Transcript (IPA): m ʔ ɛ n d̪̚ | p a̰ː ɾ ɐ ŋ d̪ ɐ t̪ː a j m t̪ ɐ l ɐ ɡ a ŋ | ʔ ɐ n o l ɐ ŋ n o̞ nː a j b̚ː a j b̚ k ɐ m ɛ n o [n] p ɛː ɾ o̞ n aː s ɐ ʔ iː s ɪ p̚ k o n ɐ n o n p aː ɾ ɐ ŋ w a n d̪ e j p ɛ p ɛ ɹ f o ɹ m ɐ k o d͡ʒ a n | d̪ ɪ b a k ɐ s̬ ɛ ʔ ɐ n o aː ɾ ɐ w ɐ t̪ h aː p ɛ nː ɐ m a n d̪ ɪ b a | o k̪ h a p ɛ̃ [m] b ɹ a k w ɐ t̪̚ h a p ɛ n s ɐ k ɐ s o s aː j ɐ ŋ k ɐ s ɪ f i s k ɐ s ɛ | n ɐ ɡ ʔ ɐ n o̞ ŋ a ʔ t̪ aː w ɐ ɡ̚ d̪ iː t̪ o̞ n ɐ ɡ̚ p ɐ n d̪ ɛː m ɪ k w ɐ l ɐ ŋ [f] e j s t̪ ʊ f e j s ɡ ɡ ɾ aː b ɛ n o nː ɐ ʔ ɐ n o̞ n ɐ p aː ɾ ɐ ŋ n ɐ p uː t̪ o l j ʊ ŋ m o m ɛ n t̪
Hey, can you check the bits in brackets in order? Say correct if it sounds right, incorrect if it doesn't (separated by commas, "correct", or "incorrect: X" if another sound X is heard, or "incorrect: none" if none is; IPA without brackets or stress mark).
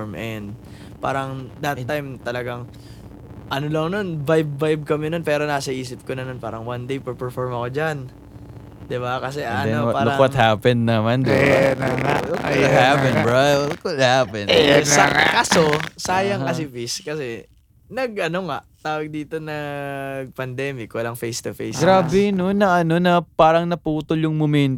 correct, incorrect: n, correct